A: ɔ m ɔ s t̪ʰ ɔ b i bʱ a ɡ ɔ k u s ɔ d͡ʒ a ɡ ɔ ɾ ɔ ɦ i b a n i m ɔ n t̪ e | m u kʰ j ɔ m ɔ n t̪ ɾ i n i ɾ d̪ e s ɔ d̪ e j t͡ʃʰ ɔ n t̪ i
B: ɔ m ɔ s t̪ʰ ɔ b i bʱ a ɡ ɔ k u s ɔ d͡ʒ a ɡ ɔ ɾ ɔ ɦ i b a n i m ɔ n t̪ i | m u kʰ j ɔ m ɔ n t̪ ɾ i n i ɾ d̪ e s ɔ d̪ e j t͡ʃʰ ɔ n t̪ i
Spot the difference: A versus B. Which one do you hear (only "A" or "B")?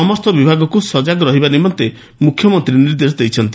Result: A